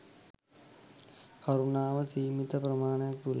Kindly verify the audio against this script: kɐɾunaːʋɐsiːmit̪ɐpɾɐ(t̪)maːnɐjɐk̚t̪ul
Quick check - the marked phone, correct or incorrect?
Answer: incorrect